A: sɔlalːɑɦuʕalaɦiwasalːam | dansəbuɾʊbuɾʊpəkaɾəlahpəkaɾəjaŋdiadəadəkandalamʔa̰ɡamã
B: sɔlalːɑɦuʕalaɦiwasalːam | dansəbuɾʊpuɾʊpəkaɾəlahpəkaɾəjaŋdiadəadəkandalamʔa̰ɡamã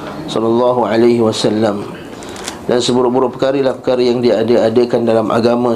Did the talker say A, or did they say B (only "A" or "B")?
A